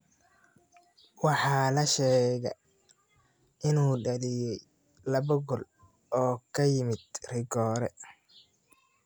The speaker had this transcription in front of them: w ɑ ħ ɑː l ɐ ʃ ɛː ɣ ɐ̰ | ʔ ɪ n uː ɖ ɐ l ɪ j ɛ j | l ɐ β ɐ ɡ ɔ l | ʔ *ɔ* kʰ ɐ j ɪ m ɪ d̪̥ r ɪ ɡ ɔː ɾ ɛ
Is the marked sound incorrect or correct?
incorrect